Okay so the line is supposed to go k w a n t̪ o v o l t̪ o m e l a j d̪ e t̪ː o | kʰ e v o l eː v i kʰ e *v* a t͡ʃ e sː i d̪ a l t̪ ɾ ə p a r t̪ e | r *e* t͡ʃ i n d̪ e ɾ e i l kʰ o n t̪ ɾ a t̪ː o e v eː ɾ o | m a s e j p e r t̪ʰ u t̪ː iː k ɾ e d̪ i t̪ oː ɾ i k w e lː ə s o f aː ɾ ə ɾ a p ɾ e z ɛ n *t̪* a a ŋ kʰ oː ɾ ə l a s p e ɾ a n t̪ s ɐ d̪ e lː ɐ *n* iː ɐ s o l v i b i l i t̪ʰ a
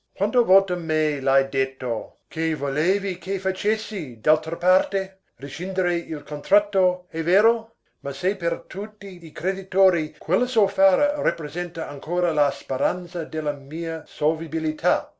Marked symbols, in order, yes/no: no, no, yes, no

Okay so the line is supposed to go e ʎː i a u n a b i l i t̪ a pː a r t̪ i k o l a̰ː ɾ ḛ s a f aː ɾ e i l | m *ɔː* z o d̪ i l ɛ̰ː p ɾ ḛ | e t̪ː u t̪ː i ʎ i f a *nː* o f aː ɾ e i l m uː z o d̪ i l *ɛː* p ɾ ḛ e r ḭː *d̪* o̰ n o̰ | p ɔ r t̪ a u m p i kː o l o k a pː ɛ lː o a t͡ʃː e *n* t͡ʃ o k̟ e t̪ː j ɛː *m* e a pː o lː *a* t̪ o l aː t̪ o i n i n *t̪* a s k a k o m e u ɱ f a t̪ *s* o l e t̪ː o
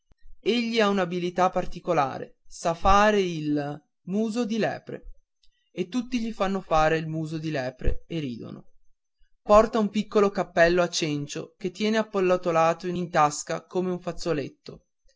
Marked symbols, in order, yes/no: no, yes, yes, yes, yes, no, yes, yes, no

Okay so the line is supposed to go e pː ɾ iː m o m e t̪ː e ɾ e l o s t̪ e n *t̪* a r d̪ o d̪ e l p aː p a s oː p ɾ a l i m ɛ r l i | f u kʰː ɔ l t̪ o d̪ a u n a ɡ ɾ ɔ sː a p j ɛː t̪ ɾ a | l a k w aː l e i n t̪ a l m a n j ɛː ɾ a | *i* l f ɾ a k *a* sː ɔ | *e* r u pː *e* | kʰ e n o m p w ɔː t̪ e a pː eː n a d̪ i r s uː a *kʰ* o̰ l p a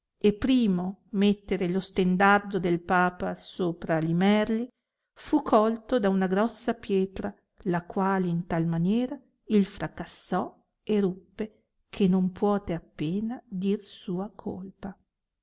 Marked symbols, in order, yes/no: no, yes, yes, yes, yes, yes

